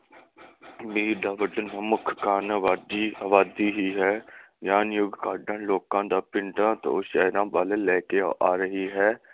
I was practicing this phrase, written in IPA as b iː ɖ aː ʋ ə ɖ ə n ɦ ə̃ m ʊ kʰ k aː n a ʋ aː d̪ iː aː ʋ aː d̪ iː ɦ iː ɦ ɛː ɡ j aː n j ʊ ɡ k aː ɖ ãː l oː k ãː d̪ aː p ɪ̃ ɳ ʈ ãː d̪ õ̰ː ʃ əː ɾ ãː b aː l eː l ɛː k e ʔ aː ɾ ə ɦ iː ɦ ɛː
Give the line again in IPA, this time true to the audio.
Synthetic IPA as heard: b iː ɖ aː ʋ ə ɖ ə n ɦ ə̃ m ʊ kʰ k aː n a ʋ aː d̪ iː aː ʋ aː d̪ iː ɦ iː ɦ ɛː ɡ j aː n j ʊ ɡ k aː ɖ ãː l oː k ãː d̪ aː p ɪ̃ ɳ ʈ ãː t̪ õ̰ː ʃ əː ɾ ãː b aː l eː l ɛː k e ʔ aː ɾ ə ɦ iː ɦ ɛː